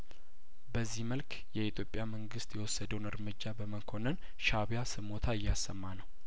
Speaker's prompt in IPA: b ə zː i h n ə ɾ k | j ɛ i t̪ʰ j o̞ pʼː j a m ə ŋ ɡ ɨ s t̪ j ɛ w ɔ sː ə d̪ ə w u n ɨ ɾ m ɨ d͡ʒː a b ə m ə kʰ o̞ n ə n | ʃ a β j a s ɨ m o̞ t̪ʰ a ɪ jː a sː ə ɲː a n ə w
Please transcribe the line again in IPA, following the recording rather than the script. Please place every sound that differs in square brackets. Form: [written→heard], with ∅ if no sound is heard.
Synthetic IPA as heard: b ə zː i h [n→m] ə [ɾ→l] k | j ɛ i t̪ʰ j o̞ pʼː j a m ə ŋ ɡ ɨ s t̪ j ɛ w ɔ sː ə d̪ ə w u n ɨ ɾ m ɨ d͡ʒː a b ə m ə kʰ o̞ n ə n | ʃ a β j a s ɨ m o̞ t̪ʰ a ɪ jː a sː ə [ɲː→mː] a n ə w